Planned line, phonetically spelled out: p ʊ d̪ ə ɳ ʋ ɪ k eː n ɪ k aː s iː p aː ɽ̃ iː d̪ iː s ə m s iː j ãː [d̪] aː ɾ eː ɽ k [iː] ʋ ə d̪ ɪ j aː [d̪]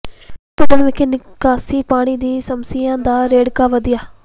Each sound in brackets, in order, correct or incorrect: correct, incorrect: aː, incorrect: none

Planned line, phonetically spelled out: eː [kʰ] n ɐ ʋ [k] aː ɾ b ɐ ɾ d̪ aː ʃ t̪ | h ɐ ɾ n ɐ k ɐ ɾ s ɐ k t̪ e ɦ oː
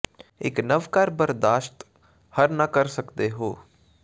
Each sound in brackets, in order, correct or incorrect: incorrect: k, correct

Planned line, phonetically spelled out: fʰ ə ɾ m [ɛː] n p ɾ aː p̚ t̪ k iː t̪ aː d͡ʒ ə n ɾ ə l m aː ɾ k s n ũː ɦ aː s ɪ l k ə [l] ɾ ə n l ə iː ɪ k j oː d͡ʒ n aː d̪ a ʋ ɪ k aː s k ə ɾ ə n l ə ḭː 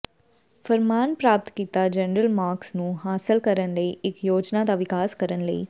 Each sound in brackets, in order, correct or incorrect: incorrect: aː, incorrect: none

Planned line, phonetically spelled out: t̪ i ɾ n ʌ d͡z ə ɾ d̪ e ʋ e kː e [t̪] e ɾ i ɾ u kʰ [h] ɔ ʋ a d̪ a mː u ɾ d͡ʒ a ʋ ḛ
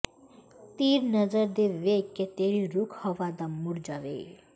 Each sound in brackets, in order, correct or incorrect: correct, correct

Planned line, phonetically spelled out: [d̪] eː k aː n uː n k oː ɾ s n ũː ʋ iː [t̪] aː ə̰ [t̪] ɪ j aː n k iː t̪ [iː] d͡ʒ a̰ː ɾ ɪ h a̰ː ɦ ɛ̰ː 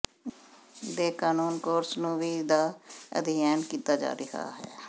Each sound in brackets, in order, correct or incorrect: correct, incorrect: d̪, incorrect: d̪, incorrect: aː

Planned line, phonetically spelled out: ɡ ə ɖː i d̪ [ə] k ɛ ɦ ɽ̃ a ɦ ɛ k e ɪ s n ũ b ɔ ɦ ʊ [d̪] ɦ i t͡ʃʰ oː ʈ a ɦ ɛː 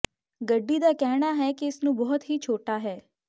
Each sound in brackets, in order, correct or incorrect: incorrect: a, incorrect: t̪

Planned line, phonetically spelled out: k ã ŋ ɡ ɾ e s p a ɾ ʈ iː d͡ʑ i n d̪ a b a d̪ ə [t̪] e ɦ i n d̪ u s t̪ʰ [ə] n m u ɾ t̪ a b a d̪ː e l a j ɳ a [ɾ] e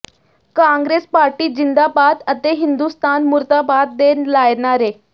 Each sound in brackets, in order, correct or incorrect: correct, incorrect: a, correct

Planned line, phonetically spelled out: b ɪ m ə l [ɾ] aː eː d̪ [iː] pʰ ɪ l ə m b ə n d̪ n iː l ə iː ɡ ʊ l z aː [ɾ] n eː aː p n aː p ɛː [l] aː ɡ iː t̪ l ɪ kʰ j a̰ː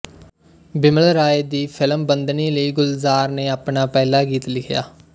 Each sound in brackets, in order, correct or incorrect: correct, correct, correct, correct

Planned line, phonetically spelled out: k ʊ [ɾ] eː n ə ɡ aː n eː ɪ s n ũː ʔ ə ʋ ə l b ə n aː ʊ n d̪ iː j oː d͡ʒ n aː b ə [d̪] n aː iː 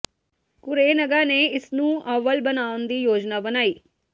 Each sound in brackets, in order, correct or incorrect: correct, incorrect: none

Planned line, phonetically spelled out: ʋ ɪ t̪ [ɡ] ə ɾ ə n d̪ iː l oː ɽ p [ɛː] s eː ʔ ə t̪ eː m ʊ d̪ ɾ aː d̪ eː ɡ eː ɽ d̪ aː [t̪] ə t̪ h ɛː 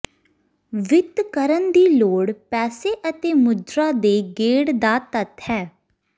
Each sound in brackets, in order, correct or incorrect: incorrect: k, correct, correct

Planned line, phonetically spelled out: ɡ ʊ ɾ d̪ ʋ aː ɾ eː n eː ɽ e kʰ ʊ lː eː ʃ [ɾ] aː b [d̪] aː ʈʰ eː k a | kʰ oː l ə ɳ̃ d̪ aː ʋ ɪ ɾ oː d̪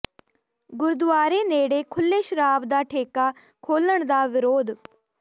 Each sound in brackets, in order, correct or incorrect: correct, correct

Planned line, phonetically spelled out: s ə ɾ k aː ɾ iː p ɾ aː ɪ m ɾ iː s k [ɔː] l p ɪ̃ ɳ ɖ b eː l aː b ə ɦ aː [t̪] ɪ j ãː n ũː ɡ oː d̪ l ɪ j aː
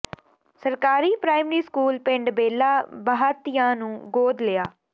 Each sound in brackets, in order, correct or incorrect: incorrect: uː, correct

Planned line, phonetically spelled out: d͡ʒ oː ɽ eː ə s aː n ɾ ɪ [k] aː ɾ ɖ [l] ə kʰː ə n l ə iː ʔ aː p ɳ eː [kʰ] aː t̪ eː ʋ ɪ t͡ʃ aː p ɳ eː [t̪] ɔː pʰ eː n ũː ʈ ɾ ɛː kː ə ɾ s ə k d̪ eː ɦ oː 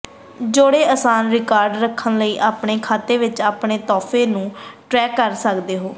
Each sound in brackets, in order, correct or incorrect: correct, incorrect: ɾ, correct, correct

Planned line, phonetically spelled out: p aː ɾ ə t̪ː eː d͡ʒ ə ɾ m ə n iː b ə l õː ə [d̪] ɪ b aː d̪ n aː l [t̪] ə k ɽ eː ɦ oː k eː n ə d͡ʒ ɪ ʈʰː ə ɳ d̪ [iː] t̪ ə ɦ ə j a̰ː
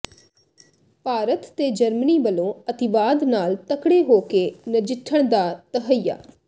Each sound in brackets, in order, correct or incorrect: incorrect: t̪, correct, incorrect: aː

